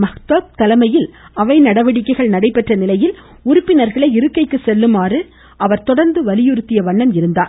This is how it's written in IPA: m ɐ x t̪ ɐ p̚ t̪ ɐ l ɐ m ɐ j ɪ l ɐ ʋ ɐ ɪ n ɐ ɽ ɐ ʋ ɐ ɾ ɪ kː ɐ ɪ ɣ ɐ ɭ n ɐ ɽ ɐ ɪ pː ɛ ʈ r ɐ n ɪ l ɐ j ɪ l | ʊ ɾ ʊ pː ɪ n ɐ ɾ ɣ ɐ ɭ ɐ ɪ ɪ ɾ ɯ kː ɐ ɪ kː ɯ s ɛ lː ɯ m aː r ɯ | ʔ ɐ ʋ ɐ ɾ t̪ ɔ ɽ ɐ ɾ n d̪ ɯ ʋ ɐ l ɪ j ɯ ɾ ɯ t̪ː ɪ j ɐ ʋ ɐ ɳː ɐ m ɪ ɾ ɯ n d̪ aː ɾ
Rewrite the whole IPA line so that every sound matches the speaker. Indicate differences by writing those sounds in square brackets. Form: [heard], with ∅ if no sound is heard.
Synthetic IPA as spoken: m ɐ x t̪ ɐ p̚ t̪ ɐ l ɐ m ɐ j ɪ l ɐ ʋ ɐ ɪ n ɐ ɽ ɐ ʋ ɐ [ɽ] ɪ kː ɐ ɪ ɣ ɐ ɭ n ɐ ɽ ɐ ɪ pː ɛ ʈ r ɐ n ɪ l ɐ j ɪ l | ʊ ɾ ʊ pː ɪ n ɐ ɾ ɣ ɐ ɭ ɐ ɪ ɪ ɾ ɯ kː ɐ ɪ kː ɯ s ɛ lː ɯ m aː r ɯ | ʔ ɐ ʋ ɐ ɾ t̪ ɔ ɽ ɐ ɾ n d̪ ɯ ʋ ɐ l ɪ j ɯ ɾ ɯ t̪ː ɪ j ɐ ʋ ɐ ɳː ɐ m ɪ ɾ ɯ n d̪ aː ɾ

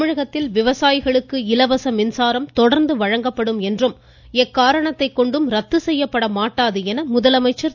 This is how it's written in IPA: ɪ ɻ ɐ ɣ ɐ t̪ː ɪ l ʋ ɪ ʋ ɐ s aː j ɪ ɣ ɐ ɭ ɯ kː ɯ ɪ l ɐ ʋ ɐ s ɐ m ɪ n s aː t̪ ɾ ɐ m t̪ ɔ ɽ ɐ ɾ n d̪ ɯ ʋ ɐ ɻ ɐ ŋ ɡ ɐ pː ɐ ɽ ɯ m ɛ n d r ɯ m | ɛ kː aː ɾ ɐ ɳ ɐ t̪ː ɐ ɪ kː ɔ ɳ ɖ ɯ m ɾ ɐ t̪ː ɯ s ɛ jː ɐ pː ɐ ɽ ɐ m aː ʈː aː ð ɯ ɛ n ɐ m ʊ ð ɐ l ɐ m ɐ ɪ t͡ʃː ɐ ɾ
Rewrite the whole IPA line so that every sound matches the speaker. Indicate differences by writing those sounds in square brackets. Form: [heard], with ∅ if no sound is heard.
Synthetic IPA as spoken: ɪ ɻ ɐ ɣ ɐ t̪ː ɪ l ʋ ɪ ʋ ɐ s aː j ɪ ɣ ɐ ɭ ɯ kː ɯ ɪ l ɐ ʋ ɐ s ɐ m ɪ n s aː [∅] ɾ ɐ m t̪ ɔ ɽ ɐ ɾ n d̪ ɯ ʋ ɐ ɻ ɐ ŋ ɡ ɐ pː ɐ ɽ ɯ m ɛ n d r ɯ m | ɛ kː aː ɾ ɐ ɳ ɐ t̪ː ɐ ɪ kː ɔ ɳ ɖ ɯ m ɾ ɐ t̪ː ɯ s ɛ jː ɐ pː ɐ ɽ ɐ m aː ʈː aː ð ɯ ɛ n ɐ m ʊ ð ɐ l ɐ m ɐ ɪ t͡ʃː ɐ ɾ

